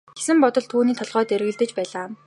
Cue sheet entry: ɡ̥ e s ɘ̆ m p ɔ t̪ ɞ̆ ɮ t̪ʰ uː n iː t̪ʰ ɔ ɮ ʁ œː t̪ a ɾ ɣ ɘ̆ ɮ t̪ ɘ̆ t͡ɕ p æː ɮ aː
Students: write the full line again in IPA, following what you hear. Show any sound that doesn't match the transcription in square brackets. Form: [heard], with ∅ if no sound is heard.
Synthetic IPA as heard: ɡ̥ e s ɘ̆ m p ɔ t̪ ɞ̆ ɮ t̪ʰ uː n iː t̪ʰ ɔ ɮ ʁ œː t̪ [e] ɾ ɣ ɘ̆ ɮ t̪ ɘ̆ t͡ɕ p æː ɮ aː